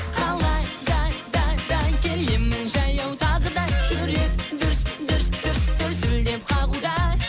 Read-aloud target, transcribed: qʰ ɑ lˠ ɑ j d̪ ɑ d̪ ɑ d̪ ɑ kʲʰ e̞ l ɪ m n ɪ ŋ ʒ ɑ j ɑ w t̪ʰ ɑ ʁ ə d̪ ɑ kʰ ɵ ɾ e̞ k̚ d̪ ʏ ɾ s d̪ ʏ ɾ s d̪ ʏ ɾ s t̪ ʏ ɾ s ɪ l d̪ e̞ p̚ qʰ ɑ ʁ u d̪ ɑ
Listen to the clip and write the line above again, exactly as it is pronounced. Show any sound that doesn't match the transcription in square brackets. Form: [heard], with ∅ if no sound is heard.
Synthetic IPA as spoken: qʰ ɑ lˠ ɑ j d̪ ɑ d̪ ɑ d̪ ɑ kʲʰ e̞ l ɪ m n ɪ ŋ ʒ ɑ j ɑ w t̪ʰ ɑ ʁ ə d̪ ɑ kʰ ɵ ɾ e̞ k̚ d̪ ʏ ɾ s d̪ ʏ ɾ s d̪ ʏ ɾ s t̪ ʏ ɾ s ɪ l d̪ e̞ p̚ qʰ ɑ ʁ u d̪ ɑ